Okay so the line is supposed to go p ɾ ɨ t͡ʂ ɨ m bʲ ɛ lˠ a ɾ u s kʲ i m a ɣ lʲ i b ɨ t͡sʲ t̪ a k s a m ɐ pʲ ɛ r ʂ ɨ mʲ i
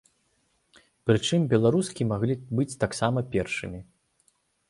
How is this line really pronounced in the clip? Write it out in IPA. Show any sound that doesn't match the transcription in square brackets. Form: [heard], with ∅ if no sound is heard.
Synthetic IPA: p ɾ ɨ t͡ʂ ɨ m bʲ ɛ lˠ a ɾ u s kʲ i m a ɣ lʲ i b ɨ t͡sʲ t̪ a k s a m ɐ pʲ ɛ r ʂ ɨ mʲ i